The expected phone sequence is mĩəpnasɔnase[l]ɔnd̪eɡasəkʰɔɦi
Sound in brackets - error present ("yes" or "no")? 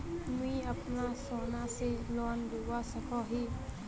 no